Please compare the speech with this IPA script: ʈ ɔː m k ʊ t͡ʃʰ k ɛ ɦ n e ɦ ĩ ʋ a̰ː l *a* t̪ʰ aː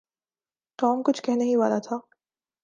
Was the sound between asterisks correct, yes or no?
yes